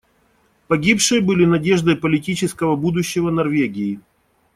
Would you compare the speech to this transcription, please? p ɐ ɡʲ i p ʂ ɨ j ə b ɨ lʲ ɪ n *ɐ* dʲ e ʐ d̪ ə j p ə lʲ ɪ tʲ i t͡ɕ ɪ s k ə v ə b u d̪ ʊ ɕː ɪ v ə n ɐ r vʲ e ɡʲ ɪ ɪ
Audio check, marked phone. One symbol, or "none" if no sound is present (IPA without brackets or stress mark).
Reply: ɐ